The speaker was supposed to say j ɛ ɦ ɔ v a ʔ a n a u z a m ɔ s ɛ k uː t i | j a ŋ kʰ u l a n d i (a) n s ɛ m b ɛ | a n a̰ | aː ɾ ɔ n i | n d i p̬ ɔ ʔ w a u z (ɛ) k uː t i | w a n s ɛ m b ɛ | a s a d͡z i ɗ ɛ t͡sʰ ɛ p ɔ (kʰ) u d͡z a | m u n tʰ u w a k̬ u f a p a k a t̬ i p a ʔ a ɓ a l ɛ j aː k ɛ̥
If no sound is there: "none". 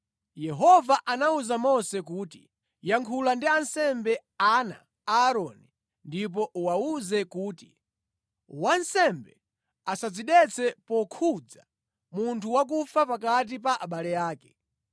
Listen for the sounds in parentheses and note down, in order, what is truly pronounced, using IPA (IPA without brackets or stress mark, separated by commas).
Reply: a, ɛ, kʰ